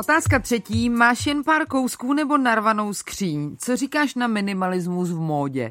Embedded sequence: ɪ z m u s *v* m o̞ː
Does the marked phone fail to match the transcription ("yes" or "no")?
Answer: no